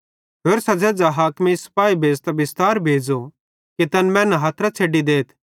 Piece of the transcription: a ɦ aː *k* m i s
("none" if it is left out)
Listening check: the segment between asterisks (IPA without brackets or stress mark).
k